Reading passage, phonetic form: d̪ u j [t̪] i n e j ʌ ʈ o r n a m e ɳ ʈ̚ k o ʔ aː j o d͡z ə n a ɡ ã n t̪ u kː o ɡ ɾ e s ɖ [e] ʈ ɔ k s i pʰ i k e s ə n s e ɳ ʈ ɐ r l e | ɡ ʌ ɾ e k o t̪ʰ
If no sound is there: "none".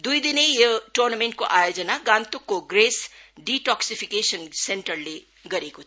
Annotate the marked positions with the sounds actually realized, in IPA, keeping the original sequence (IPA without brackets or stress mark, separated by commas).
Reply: d̪, i